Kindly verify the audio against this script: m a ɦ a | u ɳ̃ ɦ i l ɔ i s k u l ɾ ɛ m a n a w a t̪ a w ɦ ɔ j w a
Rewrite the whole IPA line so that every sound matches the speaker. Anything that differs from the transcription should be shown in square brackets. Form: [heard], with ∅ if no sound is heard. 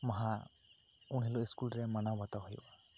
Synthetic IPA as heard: m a ɦ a | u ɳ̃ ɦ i l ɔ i s k u l ɾ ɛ m a n a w a t̪ a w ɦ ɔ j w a